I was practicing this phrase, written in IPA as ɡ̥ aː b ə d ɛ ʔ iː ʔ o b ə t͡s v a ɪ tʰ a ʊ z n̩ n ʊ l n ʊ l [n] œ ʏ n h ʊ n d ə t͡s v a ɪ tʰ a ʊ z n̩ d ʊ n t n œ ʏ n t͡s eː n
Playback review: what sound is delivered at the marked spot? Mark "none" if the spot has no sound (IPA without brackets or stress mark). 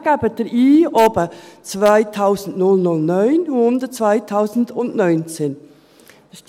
n